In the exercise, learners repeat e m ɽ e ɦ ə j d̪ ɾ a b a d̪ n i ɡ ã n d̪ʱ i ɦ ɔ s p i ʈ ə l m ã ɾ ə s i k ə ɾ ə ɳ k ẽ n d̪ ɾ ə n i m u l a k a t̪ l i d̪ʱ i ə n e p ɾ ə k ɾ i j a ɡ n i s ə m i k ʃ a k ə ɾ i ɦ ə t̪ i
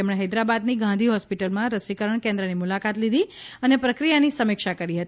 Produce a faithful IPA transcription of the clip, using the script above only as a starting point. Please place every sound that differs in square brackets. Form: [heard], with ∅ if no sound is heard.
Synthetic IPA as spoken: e m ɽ e ɦ ə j d̪ ɾ a b a d̪ n i ɡ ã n d̪ʱ i ɦ ɔ s p i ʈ ə l m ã ɾ ə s i k ə ɾ ə ɳ k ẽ n d̪ ɾ ə n i m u l a k a t̪ l i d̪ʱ i ə n e p ɾ ə k ɾ i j a [∅] n i s ə m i k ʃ a k ə ɾ i ɦ ə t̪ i